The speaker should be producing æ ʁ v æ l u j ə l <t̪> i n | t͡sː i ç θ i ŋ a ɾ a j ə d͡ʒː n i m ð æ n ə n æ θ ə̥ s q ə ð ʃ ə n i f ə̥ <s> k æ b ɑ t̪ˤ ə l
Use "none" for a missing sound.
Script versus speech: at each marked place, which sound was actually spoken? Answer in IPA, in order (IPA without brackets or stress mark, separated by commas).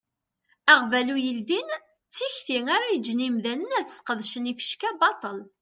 d̪, ʃ